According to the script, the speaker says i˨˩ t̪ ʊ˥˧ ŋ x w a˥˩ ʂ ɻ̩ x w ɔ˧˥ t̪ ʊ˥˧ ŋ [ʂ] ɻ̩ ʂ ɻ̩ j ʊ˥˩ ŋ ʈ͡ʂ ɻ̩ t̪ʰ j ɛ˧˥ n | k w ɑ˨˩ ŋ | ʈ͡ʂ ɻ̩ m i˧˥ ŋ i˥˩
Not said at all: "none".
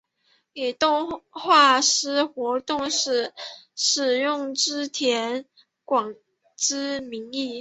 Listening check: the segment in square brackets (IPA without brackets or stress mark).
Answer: ʂ